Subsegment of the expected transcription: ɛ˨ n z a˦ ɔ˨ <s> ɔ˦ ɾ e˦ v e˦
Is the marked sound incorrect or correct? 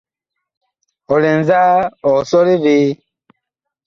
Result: correct